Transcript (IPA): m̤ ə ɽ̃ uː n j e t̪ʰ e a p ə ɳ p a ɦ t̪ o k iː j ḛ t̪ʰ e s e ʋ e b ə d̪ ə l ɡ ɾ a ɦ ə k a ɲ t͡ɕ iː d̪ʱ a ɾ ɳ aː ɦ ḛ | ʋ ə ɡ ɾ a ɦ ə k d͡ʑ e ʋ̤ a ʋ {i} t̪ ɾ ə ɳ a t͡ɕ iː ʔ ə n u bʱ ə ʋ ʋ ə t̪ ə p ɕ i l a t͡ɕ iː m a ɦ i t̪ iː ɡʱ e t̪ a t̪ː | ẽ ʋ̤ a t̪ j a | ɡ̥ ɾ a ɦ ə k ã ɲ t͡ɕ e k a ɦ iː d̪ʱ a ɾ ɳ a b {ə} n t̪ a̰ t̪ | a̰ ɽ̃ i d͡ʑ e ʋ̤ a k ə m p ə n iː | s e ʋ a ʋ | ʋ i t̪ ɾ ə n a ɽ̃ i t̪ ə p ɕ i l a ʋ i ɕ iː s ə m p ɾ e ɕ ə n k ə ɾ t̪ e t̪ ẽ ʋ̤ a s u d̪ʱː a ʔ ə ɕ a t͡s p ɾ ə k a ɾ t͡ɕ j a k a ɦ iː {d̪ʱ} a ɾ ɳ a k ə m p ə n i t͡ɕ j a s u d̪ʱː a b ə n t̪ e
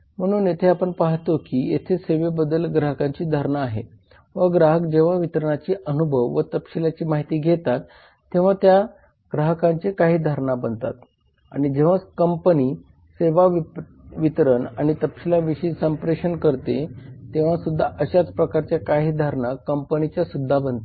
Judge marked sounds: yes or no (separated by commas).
yes, yes, yes